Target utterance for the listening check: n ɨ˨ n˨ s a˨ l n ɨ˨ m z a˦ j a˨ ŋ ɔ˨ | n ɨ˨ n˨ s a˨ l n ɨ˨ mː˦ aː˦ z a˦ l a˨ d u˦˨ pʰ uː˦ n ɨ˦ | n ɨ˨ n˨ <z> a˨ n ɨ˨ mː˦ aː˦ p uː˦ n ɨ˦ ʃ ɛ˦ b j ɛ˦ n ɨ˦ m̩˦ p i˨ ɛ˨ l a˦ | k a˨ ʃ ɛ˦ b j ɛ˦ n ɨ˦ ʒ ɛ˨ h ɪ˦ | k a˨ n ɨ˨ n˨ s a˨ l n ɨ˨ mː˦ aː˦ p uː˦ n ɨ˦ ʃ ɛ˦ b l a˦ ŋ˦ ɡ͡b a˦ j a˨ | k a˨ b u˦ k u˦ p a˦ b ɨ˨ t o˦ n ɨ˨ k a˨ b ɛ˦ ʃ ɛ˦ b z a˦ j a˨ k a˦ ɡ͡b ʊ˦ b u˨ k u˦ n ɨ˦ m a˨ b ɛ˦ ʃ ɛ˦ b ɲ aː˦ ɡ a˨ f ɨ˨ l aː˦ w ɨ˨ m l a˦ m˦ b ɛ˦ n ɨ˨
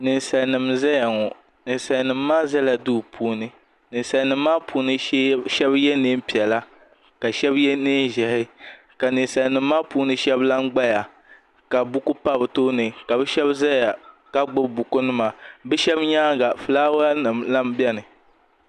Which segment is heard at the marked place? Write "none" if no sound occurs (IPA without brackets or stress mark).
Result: s